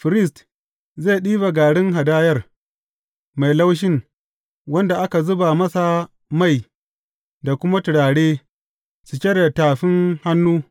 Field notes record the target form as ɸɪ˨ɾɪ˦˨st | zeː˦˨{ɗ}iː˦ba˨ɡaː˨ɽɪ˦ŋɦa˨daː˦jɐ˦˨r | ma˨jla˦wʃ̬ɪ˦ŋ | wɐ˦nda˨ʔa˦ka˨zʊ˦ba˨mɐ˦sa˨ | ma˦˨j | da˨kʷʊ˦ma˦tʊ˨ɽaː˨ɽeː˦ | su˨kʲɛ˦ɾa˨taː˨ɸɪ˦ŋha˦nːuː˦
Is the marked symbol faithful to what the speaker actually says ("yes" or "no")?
yes